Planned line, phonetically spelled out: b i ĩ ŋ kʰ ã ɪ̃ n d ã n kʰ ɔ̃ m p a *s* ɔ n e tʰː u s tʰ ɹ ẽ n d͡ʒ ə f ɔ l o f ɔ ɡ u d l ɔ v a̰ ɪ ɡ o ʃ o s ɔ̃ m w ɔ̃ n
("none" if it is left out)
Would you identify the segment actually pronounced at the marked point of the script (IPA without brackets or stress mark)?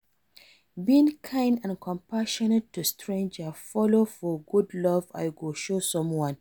ʃ